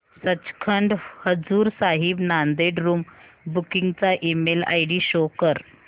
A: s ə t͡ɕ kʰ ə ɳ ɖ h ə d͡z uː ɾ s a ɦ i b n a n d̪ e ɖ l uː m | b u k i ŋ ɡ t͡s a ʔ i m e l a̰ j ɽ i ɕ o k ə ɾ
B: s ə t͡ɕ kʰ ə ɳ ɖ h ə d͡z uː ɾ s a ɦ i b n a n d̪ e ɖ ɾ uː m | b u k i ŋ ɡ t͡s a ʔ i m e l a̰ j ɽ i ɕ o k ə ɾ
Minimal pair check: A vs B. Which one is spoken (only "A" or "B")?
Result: B